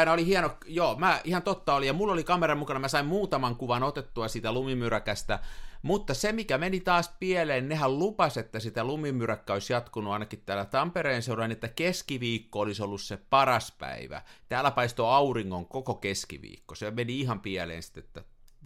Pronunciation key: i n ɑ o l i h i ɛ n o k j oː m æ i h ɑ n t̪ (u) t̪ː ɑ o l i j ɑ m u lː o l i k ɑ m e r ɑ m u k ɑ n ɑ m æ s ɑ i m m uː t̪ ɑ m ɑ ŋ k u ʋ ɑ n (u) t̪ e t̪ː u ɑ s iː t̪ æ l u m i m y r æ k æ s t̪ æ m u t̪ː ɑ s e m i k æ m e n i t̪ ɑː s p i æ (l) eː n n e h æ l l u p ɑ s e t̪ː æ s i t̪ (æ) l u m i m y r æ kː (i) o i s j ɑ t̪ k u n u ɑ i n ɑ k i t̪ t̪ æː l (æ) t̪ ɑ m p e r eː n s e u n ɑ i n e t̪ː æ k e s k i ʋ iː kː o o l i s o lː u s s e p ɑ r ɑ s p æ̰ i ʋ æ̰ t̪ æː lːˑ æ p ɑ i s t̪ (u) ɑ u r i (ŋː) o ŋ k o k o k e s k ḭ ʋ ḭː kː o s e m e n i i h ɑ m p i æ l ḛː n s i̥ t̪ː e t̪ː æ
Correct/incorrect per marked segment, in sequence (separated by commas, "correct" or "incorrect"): incorrect, incorrect, correct, correct, incorrect, correct, incorrect, correct